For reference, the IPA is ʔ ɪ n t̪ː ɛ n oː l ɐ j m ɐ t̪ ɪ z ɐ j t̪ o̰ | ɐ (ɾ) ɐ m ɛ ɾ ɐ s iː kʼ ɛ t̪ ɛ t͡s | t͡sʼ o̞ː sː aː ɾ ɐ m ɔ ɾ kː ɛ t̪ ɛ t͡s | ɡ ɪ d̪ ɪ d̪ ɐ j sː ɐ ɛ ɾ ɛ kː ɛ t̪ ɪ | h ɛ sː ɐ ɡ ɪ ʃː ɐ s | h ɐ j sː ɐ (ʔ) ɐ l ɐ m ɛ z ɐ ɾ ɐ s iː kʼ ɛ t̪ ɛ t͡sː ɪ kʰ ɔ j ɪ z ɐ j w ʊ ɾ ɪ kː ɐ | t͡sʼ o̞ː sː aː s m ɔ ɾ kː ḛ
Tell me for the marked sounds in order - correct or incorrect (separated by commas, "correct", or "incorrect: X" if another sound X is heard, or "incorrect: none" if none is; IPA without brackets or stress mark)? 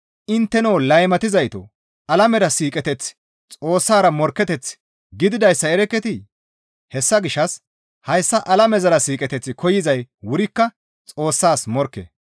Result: incorrect: l, correct